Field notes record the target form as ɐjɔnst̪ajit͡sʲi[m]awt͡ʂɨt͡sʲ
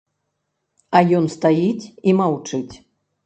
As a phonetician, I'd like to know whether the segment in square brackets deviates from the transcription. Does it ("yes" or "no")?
no